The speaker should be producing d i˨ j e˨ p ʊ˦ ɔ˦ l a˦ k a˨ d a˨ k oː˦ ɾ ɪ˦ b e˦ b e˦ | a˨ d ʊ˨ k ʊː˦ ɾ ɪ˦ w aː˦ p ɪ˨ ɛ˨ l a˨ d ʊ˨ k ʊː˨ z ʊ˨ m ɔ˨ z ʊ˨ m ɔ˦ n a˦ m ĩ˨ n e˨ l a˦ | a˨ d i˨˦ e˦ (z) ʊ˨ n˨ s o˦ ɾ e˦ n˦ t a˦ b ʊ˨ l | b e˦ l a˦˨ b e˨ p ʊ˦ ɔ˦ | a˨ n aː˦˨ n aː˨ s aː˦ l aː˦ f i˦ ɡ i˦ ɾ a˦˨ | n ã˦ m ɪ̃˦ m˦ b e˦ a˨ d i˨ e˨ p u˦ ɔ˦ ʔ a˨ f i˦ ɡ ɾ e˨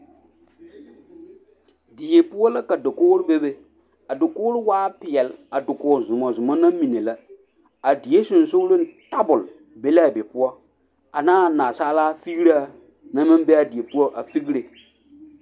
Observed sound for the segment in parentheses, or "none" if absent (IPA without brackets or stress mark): s